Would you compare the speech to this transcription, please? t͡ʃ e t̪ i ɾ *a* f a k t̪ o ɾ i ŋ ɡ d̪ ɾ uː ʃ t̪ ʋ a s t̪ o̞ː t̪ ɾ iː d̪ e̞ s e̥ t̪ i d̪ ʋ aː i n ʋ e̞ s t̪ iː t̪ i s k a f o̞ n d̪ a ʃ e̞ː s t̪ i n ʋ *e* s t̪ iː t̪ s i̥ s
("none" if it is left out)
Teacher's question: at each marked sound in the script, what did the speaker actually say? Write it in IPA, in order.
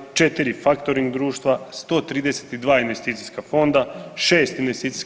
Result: i, e

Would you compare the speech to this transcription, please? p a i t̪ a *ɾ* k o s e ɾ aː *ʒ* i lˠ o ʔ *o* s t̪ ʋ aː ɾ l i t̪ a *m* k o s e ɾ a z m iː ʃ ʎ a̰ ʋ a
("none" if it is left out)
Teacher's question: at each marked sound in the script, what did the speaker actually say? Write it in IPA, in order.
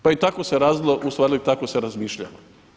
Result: none, z, u, none

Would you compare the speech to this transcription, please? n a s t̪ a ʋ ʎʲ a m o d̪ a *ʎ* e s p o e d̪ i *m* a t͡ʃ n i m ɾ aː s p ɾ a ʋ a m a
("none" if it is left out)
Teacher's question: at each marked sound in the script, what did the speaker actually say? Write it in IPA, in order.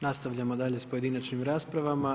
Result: ʎ, n

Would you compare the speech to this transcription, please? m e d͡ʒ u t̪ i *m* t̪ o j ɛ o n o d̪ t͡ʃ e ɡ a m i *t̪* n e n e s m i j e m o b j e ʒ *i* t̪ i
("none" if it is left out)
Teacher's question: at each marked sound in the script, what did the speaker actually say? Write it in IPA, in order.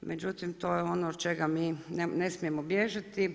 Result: m, none, a

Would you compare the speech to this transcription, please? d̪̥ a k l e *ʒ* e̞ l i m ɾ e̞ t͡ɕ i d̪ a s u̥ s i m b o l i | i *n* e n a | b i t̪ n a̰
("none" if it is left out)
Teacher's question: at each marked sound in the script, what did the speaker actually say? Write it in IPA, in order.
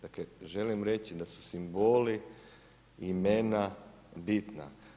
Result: ʒ, m

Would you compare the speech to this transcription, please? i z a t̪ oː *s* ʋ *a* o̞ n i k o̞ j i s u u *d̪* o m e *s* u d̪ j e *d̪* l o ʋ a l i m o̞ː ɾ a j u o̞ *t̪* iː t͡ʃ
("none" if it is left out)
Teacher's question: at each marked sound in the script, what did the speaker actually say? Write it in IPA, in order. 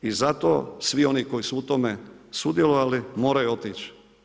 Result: s, i, t̪, s, none, t̪

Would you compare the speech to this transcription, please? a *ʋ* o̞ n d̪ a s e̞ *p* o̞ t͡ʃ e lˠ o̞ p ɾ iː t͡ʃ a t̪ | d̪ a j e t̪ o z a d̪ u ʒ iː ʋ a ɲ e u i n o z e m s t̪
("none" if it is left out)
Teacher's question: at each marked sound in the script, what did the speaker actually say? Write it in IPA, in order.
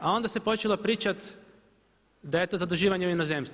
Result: none, p

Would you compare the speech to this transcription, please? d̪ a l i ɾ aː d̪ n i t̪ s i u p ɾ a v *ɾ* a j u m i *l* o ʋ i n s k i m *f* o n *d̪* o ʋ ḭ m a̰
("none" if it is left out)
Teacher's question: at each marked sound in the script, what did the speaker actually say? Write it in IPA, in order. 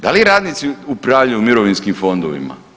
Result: ʎ, ɾ, f, d̪

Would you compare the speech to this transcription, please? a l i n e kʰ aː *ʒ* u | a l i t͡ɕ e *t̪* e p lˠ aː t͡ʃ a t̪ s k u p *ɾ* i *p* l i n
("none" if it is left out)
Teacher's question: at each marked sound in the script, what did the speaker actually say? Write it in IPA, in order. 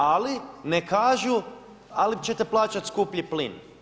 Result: ʒ, t̪, ʎ, p

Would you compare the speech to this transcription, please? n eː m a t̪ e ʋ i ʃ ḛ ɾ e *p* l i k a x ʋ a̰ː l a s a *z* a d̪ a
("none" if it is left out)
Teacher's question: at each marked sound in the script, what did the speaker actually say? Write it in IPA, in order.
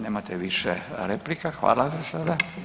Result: p, s

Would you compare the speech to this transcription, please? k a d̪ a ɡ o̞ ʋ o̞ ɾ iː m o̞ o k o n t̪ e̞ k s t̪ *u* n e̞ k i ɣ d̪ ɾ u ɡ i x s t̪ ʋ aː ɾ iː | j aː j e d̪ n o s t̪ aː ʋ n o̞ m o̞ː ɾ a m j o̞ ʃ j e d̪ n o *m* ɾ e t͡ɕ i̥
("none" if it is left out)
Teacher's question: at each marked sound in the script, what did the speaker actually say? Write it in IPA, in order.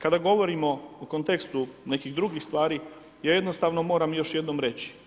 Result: u, m

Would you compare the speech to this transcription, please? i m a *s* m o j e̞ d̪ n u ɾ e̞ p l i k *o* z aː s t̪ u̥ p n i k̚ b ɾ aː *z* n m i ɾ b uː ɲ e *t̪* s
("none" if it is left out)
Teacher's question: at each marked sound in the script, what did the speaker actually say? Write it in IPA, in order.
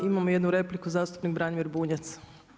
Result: none, u, none, t̪

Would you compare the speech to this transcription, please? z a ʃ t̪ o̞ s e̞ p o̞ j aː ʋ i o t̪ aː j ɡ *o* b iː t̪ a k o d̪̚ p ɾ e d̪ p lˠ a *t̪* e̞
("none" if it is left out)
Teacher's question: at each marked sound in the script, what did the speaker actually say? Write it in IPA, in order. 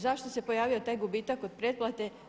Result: u, t̪

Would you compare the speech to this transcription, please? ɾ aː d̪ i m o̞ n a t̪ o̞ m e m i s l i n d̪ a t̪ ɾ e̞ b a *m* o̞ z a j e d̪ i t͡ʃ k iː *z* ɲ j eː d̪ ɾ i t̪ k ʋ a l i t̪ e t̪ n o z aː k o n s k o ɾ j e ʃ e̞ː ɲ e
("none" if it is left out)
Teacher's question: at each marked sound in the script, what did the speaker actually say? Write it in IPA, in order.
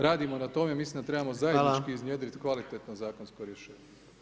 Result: m, z

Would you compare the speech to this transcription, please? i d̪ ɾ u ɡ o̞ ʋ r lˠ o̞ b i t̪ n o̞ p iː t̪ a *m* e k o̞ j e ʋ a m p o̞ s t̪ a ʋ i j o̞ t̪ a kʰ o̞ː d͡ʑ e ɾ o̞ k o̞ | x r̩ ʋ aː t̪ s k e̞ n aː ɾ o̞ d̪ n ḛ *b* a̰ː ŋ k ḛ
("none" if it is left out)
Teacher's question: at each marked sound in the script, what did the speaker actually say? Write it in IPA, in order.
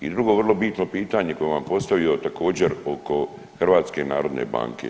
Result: ɲ, b

